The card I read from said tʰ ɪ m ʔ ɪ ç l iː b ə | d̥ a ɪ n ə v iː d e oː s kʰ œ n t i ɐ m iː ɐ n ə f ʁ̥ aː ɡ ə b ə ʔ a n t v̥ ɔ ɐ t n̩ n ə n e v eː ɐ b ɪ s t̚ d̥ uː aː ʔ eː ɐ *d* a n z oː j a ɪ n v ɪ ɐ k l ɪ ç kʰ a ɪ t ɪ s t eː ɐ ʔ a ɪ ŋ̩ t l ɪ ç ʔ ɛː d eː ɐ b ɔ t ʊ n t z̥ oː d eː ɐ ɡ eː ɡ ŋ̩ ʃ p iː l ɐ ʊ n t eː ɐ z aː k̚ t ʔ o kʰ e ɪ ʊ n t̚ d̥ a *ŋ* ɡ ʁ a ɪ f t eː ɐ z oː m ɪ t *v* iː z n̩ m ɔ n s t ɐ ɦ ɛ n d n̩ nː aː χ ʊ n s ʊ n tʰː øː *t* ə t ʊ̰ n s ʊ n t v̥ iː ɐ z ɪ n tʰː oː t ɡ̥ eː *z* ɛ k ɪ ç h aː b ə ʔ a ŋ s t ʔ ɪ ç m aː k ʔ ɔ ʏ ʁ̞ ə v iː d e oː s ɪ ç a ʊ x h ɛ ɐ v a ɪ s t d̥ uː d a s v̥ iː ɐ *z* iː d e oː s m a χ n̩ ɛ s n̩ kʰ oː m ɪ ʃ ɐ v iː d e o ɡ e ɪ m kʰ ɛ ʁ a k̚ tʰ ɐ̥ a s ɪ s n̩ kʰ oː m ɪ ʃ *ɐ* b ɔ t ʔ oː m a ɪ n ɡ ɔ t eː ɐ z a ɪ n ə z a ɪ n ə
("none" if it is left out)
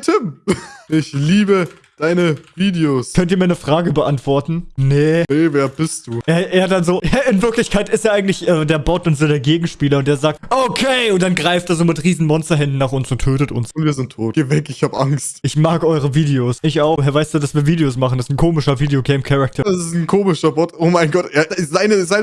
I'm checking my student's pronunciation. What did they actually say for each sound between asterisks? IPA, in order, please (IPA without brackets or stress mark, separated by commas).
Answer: d, n, ʁ, t, v, v, ɐ